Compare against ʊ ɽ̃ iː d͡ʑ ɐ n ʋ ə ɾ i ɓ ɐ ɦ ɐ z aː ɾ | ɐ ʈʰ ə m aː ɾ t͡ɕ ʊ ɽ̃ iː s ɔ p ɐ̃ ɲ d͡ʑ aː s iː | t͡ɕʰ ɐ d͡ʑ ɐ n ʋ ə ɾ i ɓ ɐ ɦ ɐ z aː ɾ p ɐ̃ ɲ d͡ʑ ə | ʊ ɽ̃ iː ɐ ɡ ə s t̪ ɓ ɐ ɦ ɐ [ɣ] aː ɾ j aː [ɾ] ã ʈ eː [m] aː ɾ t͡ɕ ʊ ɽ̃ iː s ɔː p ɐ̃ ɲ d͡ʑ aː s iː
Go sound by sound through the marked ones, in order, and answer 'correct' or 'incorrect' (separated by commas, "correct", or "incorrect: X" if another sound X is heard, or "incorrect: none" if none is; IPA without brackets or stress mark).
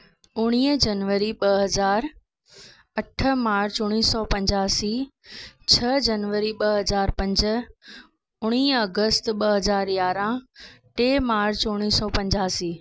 incorrect: z, correct, correct